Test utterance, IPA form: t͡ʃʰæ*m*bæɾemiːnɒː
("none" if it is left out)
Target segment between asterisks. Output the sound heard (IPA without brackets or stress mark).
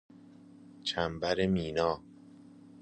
m